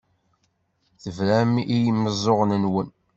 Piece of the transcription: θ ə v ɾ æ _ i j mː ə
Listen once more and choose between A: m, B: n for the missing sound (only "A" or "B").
A